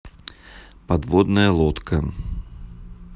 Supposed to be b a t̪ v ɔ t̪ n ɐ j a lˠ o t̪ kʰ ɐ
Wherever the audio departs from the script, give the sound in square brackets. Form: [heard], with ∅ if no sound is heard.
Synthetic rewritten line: [p] a [d̪] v ɔ [d̪] n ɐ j [ɐ] lˠ [ɔ] t̪ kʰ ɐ